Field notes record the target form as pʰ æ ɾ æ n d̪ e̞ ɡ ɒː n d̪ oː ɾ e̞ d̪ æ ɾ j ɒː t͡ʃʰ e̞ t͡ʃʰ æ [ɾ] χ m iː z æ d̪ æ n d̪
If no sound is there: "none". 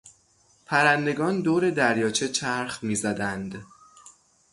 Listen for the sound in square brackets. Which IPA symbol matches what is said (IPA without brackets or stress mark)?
ɾ